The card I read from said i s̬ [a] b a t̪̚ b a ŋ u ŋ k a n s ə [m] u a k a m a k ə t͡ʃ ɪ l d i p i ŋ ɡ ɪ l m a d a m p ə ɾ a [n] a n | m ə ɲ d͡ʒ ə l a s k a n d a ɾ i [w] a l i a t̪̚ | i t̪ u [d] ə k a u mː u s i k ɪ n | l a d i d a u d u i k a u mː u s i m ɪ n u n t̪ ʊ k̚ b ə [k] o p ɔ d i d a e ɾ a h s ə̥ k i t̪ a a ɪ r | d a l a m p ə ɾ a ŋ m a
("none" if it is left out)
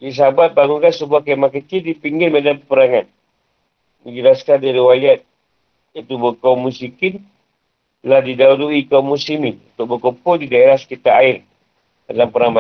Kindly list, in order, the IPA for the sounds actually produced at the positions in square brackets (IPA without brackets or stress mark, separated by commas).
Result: a, b, ŋ, w, b, k